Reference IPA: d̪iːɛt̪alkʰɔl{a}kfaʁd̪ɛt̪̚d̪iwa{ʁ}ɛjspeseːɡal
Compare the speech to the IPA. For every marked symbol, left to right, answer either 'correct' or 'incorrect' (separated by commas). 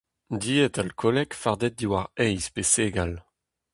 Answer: incorrect, correct